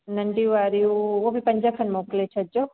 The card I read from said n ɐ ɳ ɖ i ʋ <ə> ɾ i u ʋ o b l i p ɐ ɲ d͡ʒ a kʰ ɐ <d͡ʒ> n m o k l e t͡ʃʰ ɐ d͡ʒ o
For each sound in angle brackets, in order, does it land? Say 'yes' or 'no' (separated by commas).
no, no